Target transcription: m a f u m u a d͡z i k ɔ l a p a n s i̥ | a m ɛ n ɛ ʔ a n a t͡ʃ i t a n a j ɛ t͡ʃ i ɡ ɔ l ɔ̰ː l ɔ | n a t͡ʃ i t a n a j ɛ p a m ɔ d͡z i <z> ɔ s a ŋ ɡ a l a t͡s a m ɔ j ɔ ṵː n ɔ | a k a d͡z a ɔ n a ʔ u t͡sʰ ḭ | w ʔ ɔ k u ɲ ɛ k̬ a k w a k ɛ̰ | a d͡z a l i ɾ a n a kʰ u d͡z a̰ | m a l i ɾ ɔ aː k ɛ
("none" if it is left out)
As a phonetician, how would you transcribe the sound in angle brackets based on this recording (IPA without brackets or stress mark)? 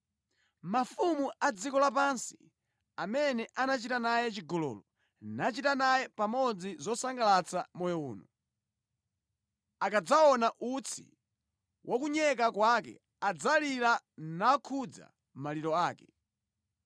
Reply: z